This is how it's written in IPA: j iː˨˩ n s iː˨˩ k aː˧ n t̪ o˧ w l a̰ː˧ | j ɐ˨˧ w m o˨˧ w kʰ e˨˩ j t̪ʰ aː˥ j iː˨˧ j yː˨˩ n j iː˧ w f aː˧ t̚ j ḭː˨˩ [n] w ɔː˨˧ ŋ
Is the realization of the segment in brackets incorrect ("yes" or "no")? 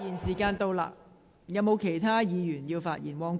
no